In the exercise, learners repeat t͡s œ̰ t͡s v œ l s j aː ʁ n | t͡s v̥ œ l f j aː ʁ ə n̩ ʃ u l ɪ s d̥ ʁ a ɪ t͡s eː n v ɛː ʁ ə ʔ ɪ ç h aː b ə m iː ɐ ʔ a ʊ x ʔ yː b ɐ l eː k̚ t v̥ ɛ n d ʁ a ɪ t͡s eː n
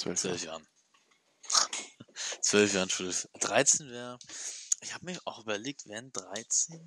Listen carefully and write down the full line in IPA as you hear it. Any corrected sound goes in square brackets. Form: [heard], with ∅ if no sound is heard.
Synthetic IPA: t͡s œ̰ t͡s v œ l [f] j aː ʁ n | t͡s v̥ œ l f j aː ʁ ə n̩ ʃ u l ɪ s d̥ ʁ a ɪ t͡s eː n v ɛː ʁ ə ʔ ɪ ç h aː b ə m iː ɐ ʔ a ʊ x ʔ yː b ɐ l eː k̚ t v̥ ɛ n d ʁ a ɪ t͡s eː n